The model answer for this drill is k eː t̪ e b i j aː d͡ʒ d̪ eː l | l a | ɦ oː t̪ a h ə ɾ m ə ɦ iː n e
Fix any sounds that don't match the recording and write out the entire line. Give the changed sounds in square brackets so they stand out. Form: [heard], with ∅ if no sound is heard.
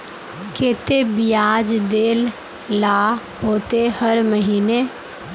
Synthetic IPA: k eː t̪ e b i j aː d͡ʒ d̪ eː l | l a | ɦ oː t̪ [e] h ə ɾ m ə ɦ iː n e